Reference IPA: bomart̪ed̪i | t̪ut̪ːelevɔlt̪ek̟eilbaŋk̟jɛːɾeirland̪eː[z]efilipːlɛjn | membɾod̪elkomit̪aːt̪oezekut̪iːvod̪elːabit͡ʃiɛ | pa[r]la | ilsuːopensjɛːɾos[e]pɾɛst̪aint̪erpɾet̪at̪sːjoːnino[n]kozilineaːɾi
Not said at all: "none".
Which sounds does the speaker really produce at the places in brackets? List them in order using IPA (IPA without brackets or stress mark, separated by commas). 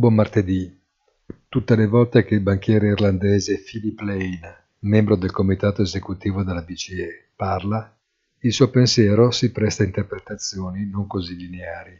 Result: z, r, i, ŋ